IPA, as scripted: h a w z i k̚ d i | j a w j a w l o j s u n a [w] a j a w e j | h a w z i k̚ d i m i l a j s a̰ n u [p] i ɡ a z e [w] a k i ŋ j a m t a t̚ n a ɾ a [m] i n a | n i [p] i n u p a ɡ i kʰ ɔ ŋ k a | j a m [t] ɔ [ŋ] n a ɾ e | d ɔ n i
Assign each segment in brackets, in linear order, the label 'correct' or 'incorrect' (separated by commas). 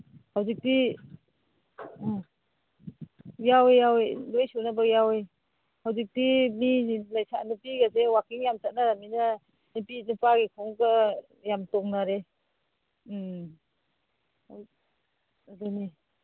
incorrect, correct, correct, correct, correct, correct, correct